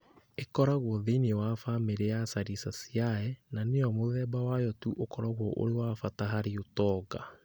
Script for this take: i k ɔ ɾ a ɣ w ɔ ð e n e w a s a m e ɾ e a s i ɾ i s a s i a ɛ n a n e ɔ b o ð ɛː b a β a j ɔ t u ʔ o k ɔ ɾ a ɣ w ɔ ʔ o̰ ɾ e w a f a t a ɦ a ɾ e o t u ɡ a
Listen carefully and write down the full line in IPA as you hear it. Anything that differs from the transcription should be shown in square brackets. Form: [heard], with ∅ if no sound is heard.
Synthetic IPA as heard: [e] k ɔ ɾ a ɣ w ɔ ð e n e w a [f] a m e ɾ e a s [a] ɾ i s a s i a ɛ n a n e ɔ [m] o ð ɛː b a [w] a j ɔ t u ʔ o k ɔ ɾ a ɣ w ɔ ʔ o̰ ɾ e w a f a t a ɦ a ɾ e o t [ɔ] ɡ a